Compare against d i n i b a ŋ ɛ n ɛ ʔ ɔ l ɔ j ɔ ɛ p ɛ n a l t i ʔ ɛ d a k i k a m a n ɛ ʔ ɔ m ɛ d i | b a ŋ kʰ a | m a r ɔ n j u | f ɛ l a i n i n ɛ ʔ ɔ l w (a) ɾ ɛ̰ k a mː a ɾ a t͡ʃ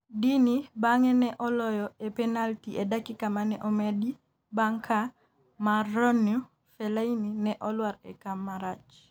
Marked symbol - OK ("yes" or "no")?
yes